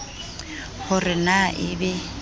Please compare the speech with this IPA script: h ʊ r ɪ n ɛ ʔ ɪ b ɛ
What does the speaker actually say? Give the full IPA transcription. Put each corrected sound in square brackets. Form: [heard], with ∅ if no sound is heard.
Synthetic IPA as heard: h ʊ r ɪ n [a] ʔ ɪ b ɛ